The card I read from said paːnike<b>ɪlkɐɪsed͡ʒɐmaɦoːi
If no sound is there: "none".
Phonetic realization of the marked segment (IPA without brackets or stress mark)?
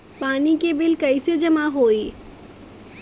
b